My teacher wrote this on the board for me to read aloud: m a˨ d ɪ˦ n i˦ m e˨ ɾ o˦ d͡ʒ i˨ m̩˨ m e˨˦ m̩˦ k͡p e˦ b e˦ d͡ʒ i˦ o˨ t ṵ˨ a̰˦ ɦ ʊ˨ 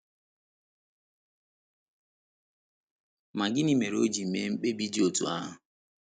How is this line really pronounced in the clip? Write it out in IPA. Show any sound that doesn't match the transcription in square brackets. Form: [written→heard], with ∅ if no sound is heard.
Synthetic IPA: m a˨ [d→ɡ] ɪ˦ n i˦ m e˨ ɾ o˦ d͡ʒ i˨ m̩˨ m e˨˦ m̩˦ k͡p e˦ b [e˦→i˦] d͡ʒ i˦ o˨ t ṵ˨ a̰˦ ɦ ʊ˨